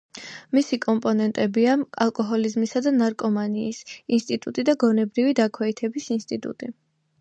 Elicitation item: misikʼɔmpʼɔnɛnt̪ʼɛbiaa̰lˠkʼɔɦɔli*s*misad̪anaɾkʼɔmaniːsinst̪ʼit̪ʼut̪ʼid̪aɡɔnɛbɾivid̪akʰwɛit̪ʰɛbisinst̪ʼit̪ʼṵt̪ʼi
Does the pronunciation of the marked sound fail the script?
yes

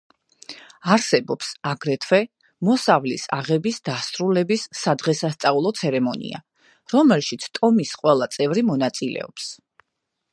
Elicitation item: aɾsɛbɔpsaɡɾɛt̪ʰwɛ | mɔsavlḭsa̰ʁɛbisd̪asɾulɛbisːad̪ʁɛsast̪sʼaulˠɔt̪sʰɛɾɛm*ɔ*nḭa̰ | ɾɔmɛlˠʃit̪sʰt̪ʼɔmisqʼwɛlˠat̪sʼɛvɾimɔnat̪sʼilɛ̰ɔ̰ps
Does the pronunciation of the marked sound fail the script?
no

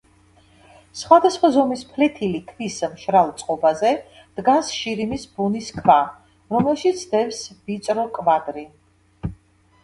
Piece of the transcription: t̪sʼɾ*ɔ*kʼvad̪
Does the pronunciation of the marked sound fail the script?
no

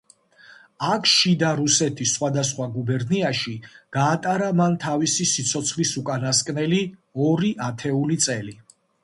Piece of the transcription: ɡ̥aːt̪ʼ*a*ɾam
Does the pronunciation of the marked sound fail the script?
no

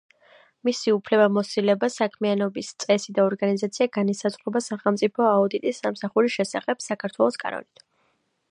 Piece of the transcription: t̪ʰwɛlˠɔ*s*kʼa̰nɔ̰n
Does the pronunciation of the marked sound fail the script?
no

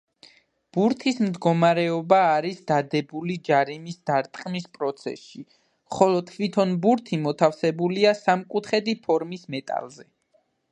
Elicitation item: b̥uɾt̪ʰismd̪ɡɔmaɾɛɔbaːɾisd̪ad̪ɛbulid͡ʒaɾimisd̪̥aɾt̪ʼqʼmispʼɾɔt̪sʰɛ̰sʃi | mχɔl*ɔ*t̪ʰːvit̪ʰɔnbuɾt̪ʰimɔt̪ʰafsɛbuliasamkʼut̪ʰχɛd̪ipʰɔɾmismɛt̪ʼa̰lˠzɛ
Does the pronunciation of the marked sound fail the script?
no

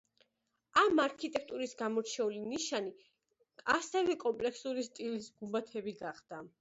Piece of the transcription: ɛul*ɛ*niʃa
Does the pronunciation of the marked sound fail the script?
yes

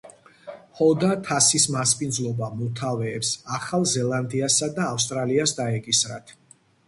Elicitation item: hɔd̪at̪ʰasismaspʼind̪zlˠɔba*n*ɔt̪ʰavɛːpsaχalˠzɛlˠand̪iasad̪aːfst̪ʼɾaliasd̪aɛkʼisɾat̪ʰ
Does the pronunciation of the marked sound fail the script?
yes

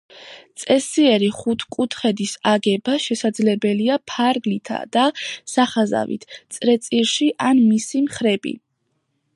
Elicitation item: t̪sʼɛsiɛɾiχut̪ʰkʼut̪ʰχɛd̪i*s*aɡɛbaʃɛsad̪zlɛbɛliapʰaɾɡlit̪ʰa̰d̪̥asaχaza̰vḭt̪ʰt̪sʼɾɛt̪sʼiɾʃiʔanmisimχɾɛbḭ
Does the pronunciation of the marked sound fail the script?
no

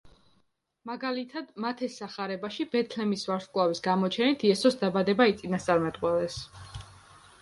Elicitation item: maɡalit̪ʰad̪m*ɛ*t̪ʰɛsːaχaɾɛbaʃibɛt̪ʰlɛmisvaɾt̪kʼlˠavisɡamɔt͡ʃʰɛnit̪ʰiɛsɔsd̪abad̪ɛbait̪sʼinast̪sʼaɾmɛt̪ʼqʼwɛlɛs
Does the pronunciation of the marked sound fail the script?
yes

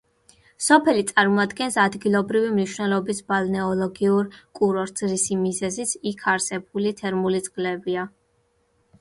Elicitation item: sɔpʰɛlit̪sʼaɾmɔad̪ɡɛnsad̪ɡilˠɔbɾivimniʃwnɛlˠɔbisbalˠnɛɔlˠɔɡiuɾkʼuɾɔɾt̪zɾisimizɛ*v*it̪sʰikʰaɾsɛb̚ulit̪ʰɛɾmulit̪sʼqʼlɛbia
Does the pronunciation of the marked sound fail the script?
yes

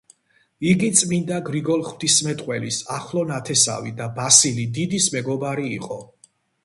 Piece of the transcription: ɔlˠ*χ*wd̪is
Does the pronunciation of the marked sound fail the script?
no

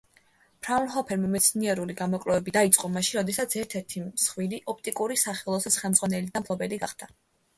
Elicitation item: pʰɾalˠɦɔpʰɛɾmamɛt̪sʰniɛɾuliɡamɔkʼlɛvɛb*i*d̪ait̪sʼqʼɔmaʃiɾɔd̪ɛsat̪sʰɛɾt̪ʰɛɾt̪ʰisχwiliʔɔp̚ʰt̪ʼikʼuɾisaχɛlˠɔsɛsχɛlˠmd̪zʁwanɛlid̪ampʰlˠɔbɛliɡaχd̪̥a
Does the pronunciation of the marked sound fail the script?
no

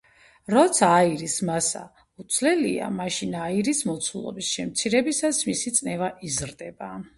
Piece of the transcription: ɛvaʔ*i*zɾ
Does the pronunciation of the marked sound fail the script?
no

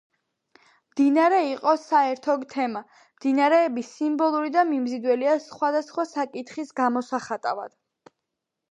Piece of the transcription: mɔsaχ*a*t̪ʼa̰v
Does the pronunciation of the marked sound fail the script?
no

